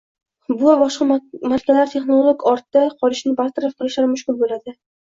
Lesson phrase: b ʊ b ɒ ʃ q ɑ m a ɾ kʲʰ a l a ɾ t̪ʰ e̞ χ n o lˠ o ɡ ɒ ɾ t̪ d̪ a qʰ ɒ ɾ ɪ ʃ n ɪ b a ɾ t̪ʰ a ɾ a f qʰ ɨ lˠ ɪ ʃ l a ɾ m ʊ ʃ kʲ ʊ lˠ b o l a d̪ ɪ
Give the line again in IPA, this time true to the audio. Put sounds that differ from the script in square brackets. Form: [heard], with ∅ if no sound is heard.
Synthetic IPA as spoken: b ʊ b ɒ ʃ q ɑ m a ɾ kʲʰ a l a ɾ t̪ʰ e̞ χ n o lˠ o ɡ ɒ ɾ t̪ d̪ a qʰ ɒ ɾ ɪ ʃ n ɪ b a ɾ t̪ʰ a ɾ a f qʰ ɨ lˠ ɪ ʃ l a ɾ m ʊ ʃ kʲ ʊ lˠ b o l a d̪ ɪ